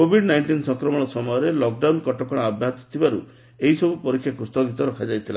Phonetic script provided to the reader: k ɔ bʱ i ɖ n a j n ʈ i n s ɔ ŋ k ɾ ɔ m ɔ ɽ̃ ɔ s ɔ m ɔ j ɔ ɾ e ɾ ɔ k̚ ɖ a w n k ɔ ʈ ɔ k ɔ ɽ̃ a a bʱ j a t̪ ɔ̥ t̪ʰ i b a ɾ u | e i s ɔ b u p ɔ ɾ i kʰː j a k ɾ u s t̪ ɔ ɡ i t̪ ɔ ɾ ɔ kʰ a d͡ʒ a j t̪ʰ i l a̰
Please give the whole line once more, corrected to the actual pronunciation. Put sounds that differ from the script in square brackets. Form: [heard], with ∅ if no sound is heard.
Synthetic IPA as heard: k [o] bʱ i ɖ n a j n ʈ i n s ɔ ŋ k ɾ ɔ m ɔ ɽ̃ ɔ s ɔ m ɔ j ɔ ɾ e [l] ɔ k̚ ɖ a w n k ɔ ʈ ɔ k ɔ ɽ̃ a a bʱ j a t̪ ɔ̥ t̪ʰ i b a ɾ u | e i s ɔ b u p ɔ ɾ i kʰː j a k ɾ u s t̪ ɔ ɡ i t̪ ɔ ɾ ɔ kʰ a d͡ʒ a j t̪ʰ i l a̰